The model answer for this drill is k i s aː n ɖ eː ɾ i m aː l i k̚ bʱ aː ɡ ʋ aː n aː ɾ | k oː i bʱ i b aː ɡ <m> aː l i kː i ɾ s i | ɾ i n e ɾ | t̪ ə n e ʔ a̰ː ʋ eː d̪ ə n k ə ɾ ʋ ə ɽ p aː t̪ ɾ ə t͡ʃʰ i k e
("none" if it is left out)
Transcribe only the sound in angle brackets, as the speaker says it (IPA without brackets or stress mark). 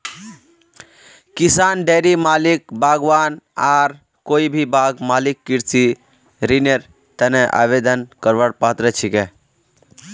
m